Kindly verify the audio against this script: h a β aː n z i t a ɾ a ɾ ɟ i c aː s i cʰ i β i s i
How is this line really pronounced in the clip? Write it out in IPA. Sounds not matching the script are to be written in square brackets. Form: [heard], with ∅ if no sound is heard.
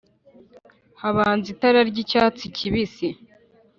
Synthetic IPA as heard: h a β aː n z i t a ɾ a ɾ ɟ i c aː [t͡s] i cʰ i β i s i